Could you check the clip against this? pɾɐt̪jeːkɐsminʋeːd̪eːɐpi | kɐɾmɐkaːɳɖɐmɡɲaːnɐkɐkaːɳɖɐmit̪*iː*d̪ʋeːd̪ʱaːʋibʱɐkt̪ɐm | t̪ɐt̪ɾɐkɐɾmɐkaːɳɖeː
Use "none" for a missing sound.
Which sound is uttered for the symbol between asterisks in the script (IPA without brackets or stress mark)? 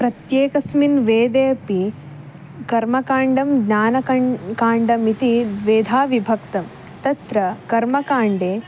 i